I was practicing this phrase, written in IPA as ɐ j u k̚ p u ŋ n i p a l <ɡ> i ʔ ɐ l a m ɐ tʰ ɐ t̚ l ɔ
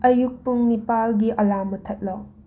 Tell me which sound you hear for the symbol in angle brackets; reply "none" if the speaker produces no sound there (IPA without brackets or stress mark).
ɡ